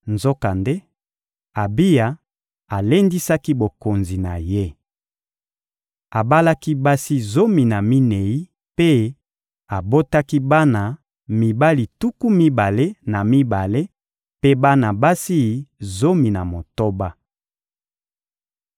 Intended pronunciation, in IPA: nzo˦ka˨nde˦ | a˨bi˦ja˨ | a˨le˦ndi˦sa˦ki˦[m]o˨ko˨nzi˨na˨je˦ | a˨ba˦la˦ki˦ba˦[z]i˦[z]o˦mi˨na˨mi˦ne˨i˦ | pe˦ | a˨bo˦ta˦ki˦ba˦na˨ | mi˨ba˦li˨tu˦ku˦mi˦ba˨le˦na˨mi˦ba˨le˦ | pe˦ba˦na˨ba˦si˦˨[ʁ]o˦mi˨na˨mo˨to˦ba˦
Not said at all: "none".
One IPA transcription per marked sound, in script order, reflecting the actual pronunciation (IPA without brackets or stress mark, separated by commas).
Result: b, s, z, z